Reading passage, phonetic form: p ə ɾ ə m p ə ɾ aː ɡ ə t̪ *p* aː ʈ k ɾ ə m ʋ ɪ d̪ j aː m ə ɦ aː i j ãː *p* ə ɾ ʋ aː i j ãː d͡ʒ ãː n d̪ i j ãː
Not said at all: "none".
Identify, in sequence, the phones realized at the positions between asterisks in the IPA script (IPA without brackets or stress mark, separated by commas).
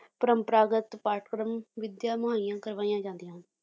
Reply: p, k